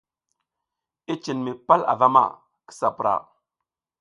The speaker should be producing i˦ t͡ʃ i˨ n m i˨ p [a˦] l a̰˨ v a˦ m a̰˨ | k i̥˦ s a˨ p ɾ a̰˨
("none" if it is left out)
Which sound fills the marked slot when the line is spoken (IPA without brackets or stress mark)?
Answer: a˦